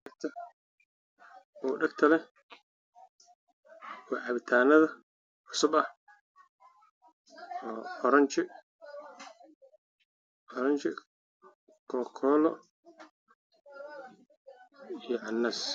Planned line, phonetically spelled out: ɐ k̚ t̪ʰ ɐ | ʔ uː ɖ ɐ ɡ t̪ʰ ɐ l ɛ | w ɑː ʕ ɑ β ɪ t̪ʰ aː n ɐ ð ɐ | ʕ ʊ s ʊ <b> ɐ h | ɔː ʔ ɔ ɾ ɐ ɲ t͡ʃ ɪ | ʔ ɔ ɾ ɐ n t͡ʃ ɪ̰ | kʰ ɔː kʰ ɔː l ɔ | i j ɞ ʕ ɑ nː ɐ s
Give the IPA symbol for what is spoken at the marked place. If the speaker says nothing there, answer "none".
b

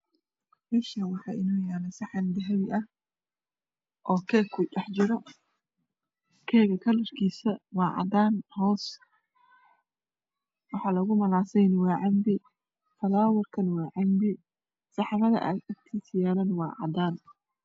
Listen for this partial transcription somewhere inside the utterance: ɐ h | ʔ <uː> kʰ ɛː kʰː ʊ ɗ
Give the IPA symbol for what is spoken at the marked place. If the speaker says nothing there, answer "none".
ɔː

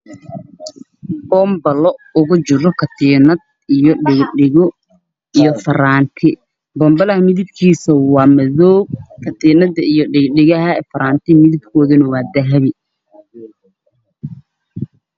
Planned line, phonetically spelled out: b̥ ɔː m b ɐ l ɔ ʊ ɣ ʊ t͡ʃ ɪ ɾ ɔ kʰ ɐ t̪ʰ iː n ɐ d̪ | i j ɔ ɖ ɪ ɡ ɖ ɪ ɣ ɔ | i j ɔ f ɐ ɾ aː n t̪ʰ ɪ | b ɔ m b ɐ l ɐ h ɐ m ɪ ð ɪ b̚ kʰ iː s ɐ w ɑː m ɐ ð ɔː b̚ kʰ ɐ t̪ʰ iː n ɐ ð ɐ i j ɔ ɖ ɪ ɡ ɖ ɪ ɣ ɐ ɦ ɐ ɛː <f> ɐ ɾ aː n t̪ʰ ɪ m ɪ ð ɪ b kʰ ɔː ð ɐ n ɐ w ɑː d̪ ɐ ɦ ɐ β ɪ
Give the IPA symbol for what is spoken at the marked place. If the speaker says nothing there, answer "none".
f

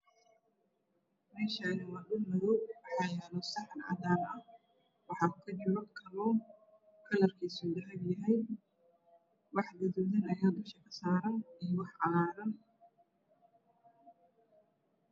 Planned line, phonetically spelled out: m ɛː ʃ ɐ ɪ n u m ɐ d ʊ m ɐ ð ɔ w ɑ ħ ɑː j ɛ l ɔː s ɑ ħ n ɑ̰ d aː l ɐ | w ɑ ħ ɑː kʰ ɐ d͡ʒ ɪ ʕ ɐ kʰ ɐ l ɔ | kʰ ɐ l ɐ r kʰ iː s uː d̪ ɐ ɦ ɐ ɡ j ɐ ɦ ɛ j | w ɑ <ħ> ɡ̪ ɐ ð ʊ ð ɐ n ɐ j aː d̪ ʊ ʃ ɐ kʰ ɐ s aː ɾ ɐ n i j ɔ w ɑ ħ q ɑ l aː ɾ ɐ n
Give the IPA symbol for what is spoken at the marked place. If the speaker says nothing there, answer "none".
ħ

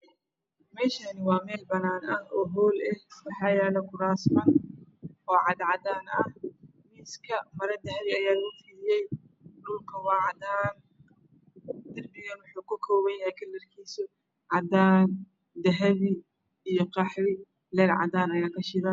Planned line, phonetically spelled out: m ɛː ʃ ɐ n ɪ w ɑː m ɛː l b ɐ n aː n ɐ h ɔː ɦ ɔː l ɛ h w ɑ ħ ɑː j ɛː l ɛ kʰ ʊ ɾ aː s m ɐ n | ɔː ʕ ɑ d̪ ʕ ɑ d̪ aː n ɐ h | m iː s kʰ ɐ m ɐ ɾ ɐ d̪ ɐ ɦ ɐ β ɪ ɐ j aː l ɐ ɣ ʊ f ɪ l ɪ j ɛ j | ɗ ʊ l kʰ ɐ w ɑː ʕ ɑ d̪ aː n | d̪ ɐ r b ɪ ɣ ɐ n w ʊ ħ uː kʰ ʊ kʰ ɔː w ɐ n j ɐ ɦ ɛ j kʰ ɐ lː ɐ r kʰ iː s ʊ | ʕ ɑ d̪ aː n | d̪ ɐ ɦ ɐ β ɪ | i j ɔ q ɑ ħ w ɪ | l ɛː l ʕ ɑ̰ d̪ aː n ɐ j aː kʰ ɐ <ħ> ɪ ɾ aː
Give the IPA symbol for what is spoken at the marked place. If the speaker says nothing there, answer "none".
ʃ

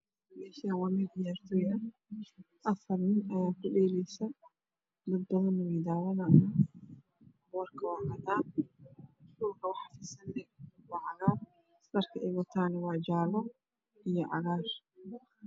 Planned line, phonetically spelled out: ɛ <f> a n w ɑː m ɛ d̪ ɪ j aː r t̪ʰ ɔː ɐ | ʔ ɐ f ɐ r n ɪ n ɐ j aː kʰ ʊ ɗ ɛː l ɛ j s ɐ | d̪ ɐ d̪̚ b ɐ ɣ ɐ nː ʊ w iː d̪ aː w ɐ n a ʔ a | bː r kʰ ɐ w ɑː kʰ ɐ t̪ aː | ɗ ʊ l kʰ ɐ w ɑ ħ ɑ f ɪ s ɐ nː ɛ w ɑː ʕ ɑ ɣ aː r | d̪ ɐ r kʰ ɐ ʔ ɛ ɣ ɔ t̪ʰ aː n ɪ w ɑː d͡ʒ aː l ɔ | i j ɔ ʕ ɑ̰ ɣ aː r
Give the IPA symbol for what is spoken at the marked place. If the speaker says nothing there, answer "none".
ʃ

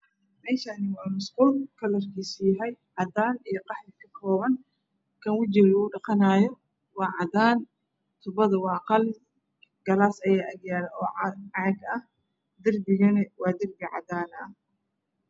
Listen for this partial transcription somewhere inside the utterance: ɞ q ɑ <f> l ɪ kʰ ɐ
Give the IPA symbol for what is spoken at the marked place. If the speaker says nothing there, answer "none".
ħ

